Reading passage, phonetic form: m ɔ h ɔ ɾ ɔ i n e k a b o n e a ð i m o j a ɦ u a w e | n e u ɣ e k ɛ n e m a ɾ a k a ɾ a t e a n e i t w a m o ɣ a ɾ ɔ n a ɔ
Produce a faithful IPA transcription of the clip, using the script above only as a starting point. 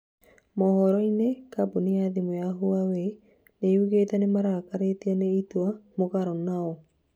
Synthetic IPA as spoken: m ɔ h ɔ ɾ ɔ i n e k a b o n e a ð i m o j a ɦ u a w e | n e u ɣ e t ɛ n e m a ɾ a k a ɾ e t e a n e i t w a m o ɣ a ɾ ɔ n a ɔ